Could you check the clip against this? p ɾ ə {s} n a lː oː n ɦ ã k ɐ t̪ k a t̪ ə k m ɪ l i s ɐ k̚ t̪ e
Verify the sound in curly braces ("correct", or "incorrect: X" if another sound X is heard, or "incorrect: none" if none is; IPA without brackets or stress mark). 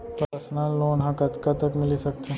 correct